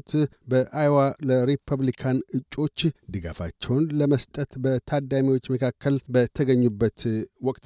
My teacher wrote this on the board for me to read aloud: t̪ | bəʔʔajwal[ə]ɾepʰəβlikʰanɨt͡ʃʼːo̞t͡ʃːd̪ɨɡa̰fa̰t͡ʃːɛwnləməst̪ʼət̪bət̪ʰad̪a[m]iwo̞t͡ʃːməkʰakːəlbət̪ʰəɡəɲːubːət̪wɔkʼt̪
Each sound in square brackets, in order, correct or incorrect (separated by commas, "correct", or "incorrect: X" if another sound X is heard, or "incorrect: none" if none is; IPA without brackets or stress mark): correct, correct